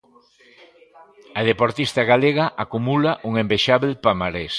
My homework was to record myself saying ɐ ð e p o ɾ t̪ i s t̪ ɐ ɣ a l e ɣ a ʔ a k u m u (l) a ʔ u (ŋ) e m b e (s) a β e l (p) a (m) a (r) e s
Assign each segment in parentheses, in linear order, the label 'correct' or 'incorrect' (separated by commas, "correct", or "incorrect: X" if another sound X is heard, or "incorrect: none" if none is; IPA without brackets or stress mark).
correct, correct, incorrect: ʃ, correct, correct, incorrect: ɾ